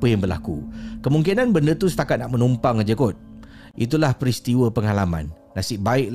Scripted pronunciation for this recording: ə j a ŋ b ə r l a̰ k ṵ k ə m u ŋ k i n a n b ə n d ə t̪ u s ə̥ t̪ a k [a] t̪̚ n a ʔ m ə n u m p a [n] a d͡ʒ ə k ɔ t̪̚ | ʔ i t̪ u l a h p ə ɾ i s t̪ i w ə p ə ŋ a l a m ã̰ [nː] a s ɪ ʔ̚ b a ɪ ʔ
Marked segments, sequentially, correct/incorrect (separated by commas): correct, incorrect, correct